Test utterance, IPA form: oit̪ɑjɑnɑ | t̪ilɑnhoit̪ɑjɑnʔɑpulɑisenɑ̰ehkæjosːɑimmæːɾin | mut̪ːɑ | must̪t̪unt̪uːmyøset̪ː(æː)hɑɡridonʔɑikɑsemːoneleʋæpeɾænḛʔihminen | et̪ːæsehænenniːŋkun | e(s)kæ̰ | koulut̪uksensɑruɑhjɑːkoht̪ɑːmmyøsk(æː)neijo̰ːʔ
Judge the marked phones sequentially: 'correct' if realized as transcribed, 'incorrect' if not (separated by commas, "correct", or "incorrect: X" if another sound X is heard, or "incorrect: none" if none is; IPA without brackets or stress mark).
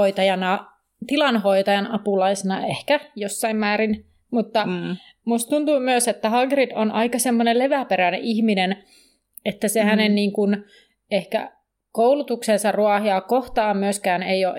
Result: incorrect: æ, incorrect: h, correct